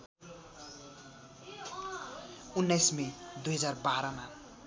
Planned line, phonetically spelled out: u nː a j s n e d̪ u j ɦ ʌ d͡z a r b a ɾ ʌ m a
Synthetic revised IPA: u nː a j s m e d̪ u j ɦ ʌ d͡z a r b a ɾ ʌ m a